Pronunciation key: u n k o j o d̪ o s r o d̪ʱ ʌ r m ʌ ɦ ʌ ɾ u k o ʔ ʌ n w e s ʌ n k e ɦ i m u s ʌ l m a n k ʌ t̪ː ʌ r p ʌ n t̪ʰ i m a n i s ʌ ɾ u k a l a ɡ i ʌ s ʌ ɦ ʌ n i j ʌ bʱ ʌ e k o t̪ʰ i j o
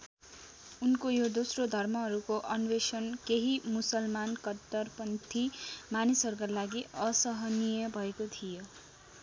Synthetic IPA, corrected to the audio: u n k o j o d̪ o s r o d̪ʱ ʌ r m ʌ ɦ ʌ ɾ u k o ʔ ʌ n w e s ʌ n k e ɦ i m u s ʌ l m a n k ʌ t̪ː ʌ r p ʌ n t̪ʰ i m a n i s ʌ ɾ u k a l a ɡ i ʌ s ʌ ɦ ʌ n i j ʌ bʱ ʌ e k o t̪ʰ i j o